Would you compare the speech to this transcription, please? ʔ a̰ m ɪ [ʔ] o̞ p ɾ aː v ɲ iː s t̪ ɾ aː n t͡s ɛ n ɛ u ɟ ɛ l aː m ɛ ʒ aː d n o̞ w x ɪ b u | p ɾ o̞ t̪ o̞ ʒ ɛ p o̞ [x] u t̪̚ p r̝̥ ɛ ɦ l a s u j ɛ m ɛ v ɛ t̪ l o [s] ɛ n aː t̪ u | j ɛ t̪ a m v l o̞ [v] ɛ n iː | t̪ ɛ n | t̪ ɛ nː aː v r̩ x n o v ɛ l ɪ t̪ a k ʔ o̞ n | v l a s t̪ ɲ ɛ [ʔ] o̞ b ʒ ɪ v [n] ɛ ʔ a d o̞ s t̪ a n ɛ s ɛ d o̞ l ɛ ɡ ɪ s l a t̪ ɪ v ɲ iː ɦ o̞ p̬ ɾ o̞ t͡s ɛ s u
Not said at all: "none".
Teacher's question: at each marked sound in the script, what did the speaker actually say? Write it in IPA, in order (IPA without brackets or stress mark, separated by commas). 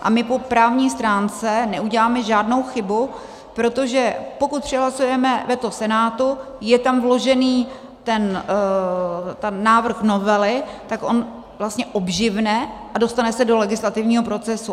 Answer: p, k, s, ʒ, ʔ, n